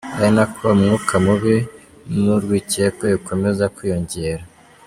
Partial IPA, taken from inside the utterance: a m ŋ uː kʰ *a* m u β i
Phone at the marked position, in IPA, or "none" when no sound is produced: a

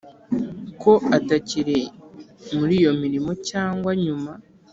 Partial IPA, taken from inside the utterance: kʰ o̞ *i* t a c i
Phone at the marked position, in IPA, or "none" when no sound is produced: a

